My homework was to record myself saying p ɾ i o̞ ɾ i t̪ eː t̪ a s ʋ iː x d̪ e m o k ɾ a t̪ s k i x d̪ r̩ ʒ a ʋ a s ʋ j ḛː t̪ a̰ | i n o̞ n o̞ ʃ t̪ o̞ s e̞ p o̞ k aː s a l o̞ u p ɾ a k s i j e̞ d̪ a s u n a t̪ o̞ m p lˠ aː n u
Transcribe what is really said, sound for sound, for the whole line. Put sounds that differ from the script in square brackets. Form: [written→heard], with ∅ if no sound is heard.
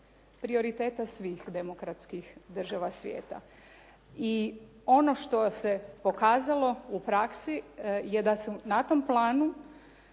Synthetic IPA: p ɾ i o̞ ɾ i t̪ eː t̪ a s ʋ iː x d̪ e m o k ɾ a t̪ s k i x d̪ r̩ ʒ a ʋ a s ʋ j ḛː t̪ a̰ | i [n→∅] o̞ n o̞ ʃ t̪ o̞ s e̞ p o̞ k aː [s→z] a l o̞ u p ɾ a k s i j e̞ d̪ a s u n a t̪ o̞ m p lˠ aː n u